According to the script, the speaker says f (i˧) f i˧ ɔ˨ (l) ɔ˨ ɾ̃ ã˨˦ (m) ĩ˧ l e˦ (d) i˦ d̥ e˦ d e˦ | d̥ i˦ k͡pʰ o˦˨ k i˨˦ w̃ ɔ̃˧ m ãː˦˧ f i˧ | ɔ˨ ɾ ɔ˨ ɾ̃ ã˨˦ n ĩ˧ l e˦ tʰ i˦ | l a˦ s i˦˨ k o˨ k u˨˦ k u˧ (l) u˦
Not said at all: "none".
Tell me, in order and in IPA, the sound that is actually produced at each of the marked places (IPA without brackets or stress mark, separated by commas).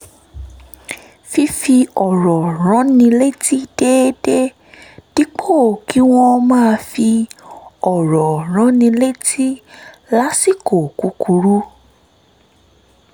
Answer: i˧, ɾ, n, t, ɾ